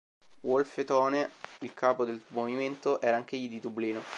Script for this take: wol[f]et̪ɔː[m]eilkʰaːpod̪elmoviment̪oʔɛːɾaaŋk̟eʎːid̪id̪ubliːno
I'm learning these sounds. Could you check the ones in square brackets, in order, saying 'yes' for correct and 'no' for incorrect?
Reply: yes, no

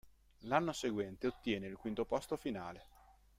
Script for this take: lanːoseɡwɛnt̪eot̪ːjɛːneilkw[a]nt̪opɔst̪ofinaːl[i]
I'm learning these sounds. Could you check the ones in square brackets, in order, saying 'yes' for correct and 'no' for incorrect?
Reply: no, no

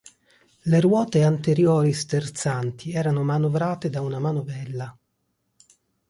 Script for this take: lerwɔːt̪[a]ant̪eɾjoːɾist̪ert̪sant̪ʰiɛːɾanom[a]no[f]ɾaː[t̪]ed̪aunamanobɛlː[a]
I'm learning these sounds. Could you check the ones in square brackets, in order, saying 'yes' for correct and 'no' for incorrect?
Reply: no, yes, no, yes, yes

